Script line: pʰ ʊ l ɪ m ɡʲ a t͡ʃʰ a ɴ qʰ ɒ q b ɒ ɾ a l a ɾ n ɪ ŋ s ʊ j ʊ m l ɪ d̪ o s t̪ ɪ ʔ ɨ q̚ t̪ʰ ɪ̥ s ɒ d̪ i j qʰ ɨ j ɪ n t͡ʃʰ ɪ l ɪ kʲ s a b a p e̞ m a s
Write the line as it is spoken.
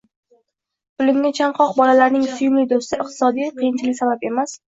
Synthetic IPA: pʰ ʊ l ɪ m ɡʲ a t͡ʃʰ a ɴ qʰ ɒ q b ɒ l a l a ɾ n ɪ ŋ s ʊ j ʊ m l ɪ d̪ o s t̪ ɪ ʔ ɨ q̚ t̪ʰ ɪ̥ s ɒ d̪ i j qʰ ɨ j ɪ n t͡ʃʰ ɪ l ɪ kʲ s a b a p e̞ m a s

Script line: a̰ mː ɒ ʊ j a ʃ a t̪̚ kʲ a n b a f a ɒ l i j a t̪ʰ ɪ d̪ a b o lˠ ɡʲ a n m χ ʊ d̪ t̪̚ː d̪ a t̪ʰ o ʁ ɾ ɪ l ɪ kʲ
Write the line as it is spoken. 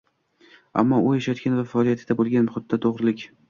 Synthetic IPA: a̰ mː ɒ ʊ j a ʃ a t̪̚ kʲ a n v a f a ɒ l i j a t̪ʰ ɪ d̪ a b o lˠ ɡʲ a n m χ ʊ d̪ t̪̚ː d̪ a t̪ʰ o ʁ ɾ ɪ l ɪ kʲ

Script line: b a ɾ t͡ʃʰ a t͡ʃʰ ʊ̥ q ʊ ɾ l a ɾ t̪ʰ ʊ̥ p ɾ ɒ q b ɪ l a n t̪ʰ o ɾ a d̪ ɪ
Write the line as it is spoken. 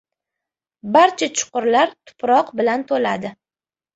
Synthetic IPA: b a ɾ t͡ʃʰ a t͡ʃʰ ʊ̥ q ʊ ɾ l a ɾ t̪ʰ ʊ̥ p ɾ ɒ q b ɪ l a n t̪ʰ o l a d̪ ɪ

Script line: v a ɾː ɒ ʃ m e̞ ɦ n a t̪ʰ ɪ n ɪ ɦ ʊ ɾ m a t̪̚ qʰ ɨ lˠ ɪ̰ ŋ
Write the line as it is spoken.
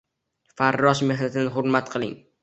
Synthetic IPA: f a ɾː ɒ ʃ m e̞ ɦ n a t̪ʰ ɪ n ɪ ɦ ʊ ɾ m a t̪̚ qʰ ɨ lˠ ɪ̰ ŋ

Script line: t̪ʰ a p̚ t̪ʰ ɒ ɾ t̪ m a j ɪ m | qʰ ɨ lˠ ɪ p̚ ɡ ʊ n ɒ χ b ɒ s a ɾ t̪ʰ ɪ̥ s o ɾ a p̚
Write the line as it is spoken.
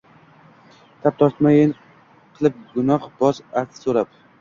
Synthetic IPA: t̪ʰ a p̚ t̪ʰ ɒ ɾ t̪ m a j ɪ n | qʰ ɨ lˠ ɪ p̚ ɡ ʊ n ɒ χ b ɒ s a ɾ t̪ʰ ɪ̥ s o ɾ a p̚

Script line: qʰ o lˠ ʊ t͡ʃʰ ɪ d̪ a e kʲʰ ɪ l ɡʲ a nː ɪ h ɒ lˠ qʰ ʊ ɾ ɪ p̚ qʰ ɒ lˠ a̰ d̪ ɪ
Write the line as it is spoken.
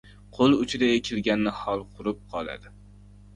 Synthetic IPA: qʰ o lˠ ʊ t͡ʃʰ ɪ d̪ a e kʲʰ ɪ l ɡʲ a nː ɪ h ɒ lˠ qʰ ʊ ɾ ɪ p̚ qʰ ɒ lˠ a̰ d̪ ɪ

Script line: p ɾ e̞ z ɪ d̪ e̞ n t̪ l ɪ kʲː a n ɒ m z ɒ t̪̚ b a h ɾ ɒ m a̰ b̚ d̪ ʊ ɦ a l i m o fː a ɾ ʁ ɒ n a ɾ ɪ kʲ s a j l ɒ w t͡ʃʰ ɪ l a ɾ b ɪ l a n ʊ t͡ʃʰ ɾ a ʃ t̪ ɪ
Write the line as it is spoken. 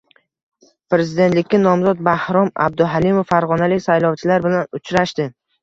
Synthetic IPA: p ɾ e̞ z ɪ d̪ e̞ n t̪ l ɪ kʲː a n ɒ m z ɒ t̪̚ b a h ɾ ɒ m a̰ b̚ d̪ ʊ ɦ a l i m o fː a ɾ ʁ ɒ n a l ɪ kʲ s a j l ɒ w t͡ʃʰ ɪ l a ɾ b ɪ l a n ʊ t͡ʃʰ ɾ a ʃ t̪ ɪ

